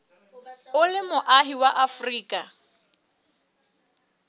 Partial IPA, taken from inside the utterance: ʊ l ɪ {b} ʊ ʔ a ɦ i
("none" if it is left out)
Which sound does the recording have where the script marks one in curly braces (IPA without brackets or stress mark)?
m